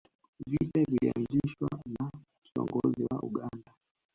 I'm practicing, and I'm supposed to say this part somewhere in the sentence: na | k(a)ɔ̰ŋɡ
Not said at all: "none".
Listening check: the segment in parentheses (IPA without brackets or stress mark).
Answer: i